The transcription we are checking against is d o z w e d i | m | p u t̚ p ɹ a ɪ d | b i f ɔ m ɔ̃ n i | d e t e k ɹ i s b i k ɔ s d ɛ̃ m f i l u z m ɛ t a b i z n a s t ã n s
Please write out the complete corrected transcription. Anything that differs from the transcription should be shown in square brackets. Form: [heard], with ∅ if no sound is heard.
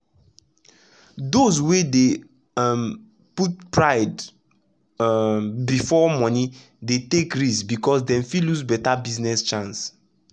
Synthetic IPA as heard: d o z w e d [e] | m | p u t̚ p ɹ a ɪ d | b i f ɔ m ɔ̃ n i | d e t e k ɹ i s b i k ɔ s d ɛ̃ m f i l u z [b] ɛ t a b i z n [ɛ] s [t͡ʃ] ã n s